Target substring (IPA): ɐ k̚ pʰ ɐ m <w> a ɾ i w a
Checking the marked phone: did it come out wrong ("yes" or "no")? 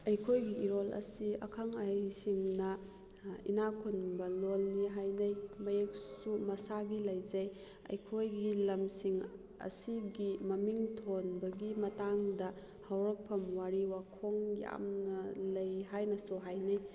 no